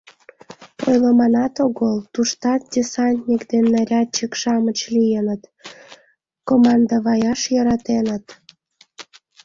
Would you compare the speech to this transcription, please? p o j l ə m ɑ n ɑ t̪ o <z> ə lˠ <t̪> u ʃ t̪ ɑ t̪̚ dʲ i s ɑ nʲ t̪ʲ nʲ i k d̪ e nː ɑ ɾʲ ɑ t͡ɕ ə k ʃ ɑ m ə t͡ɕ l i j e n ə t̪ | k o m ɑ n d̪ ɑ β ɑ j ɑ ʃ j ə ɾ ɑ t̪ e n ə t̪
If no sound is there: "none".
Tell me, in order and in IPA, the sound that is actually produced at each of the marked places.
ɣ, t̪

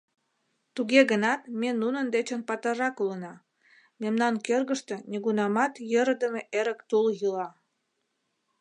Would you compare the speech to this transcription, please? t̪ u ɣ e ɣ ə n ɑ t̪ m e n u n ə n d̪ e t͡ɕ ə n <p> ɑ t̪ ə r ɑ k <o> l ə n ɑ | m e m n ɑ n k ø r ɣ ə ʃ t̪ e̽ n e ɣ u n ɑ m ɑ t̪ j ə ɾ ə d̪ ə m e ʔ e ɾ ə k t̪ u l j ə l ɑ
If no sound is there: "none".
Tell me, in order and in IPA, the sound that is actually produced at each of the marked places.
p, u

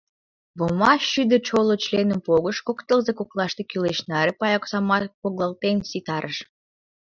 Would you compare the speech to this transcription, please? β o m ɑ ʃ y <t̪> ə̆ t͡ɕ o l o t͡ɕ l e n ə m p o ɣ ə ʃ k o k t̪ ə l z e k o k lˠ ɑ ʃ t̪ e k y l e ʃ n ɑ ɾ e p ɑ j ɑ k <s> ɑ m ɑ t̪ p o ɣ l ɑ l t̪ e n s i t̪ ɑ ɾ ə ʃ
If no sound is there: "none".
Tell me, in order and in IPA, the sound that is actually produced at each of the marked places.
d̪, s

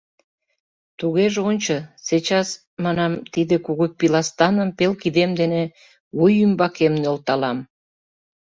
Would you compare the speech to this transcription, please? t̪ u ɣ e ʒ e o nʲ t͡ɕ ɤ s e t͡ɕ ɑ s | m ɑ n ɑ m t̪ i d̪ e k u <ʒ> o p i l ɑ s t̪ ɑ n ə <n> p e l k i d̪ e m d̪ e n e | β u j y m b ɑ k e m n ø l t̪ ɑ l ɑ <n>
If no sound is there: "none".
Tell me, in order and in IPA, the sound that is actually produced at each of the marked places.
ɣ, m, m

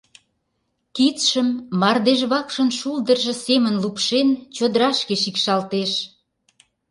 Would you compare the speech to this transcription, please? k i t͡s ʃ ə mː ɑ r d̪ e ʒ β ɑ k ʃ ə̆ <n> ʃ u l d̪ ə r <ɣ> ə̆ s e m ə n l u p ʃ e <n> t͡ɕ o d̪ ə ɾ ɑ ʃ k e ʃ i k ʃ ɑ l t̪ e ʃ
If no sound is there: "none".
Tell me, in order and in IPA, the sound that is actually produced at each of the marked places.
n, ʒ, n

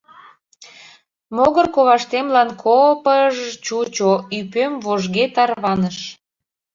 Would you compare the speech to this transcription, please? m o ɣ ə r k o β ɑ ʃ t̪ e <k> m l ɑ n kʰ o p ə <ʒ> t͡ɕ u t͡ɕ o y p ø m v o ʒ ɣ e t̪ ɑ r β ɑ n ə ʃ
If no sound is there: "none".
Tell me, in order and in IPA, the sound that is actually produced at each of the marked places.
none, ʒ

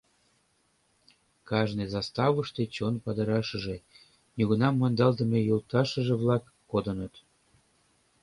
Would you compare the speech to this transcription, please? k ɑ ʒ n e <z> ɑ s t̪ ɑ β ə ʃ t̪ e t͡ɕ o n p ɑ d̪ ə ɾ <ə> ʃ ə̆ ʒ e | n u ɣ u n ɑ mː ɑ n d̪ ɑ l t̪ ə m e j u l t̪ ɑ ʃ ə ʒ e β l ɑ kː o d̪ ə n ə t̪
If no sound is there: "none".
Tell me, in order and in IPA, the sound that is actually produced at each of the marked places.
z, ɑ

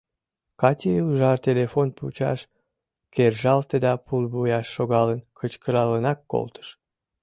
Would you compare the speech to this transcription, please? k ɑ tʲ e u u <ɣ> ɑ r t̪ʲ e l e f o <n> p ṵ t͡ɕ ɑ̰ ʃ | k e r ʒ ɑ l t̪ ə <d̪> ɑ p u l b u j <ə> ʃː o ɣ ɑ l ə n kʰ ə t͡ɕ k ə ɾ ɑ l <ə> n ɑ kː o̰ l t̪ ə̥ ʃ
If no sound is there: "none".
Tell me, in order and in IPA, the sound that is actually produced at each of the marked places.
ʒ, n, d̪, ɑ, ə

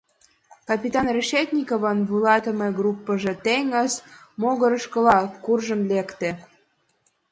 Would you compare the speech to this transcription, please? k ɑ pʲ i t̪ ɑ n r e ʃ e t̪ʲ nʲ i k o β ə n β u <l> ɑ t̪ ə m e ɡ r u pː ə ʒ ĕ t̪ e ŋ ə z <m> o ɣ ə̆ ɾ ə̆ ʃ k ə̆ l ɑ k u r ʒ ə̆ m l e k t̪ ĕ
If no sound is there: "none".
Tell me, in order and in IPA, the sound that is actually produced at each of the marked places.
l, m

